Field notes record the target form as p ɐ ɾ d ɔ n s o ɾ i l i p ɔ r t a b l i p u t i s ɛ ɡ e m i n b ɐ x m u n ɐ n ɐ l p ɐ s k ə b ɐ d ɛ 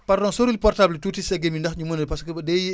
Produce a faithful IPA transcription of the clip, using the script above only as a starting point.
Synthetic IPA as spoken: p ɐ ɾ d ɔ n s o ɾ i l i p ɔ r t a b l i t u t i s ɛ ɡ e m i n d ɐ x ɲ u m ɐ n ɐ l p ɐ s k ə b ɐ d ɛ